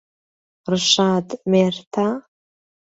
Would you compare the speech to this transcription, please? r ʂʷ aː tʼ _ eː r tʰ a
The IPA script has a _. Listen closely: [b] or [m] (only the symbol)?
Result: m